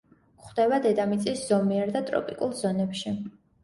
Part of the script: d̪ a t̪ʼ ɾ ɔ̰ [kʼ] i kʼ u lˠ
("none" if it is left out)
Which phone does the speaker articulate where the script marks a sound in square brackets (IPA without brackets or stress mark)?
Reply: pʼ